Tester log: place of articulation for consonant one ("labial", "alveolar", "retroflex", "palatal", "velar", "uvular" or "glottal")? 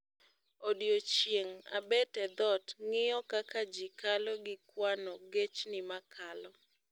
alveolar